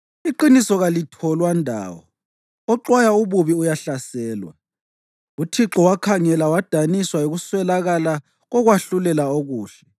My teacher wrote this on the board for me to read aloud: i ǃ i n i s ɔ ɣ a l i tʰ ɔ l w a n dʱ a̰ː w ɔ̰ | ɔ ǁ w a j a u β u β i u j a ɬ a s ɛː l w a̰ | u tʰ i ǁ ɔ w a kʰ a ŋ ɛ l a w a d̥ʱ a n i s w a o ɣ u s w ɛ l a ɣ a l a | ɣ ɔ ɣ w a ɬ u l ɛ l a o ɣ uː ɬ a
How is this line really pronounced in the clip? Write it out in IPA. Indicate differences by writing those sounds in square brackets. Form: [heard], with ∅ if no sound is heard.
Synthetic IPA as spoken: i ǃ i n i s ɔ ɣ a l i tʰ ɔ l w a n dʱ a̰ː w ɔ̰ | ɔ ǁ w a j a u β u β i u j a ɬ a s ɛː l w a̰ | u tʰ i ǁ ɔ w a kʰ a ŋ ɛ l a w a d̥ʱ a n i s w a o ɣ u s w ɛ l a ɣ a l a | ɣ ɔ ɣ w a ɬ u l ɛ l a o ɣ uː ɬ [ɛ]